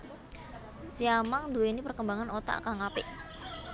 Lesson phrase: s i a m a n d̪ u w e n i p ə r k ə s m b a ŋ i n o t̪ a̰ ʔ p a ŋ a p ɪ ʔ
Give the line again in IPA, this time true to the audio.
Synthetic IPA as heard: s i a m a ŋ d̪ u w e n i p ə r k ə m b a ŋ a n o t̪ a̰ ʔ k a ŋ a p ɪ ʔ